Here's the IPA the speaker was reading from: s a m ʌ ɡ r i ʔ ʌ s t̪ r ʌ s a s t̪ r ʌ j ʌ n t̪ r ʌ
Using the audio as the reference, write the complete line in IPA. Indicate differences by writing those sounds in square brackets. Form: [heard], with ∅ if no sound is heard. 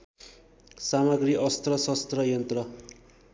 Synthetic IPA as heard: s a m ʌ ɡ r i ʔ ʌ s t̪ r ʌ s [ʌ] s t̪ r ʌ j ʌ n t̪ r ʌ